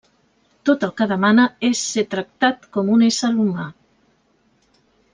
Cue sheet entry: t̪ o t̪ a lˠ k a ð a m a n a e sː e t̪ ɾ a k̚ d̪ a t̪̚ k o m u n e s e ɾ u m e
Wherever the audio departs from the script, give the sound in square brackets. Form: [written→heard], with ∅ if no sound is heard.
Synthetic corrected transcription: t̪ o t̪ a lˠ k a ð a m a n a e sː e t̪ ɾ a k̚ [d̪→t̪] a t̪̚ k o m u n e s [e→a] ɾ u m [e→a]

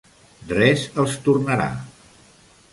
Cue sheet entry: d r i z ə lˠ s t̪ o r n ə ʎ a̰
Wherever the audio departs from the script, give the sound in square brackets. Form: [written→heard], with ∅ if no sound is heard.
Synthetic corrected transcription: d r [i→ɛ] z ə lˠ s t̪ [o→u] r n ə [ʎ→ɾ] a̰

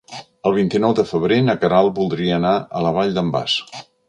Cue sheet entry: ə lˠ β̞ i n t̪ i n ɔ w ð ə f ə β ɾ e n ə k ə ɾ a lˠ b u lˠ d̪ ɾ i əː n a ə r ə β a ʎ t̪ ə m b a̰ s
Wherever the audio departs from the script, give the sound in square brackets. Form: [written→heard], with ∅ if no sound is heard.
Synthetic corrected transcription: ə lˠ β̞ i n t̪ i n ɔ w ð ə f ə β ɾ e n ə k ə ɾ a lˠ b u lˠ d̪ ɾ i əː n a ə [r→l] ə β a ʎ [t̪→d̪] ə m b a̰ s

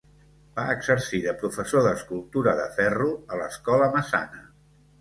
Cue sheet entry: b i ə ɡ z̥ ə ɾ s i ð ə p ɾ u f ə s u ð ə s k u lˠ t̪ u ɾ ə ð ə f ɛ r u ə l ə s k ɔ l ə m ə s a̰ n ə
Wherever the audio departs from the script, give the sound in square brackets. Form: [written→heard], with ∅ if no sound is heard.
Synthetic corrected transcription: b [i→a] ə ɡ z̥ ə ɾ s i ð ə p ɾ u f ə s [u→o] ð ə s k u lˠ t̪ u ɾ ə ð ə f ɛ r u ə l ə s k ɔ l ə m ə s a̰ n ə

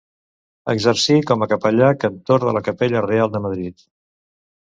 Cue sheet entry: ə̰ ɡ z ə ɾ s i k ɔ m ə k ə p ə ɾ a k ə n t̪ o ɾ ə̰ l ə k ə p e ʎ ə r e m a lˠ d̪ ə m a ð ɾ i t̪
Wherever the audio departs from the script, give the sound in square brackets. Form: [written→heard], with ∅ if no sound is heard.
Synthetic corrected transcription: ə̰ ɡ z ə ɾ s i k ɔ m ə k ə p ə [ɾ→ʎ] a k ə n t̪ o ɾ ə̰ l ə k ə p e ʎ ə r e [m→∅] a lˠ d̪ ə m [a→ə] ð ɾ i t̪

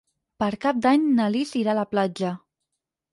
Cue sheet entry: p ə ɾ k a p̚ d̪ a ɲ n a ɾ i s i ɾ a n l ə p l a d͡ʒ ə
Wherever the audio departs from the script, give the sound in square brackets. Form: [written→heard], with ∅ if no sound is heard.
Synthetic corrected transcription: p ə ɾ k a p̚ d̪ a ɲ n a [ɾ→l] i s i ɾ a [n→∅] l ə p l a d͡ʒ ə

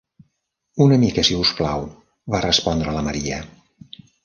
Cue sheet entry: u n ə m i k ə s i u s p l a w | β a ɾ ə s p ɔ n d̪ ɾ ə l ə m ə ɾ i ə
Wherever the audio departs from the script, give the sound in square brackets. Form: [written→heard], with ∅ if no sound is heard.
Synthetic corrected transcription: u n ə m i k ə s i u s p l a w | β a [ɾ→r] ə s p ɔ n d̪ ɾ ə l ə m ə ɾ i ə

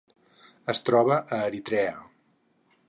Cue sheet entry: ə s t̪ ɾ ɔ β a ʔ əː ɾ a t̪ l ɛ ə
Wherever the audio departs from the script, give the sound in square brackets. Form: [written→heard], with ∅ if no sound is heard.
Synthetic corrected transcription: ə s t̪ ɾ ɔ β [a→ə] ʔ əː ɾ [a→i] t̪ [l→ɾ] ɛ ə

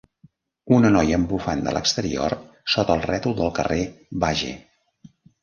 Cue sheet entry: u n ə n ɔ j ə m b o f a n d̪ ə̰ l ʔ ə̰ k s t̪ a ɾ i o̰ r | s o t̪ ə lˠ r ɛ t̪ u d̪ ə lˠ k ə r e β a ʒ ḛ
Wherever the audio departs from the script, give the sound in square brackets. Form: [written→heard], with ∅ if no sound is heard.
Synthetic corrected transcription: u n ə n ɔ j ə m b [o→u] f a n d̪ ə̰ l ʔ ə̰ k s t̪ [a→ə] ɾ i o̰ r | s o t̪ ə lˠ r ɛ t̪ u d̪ ə lˠ k ə r e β a ʒ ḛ

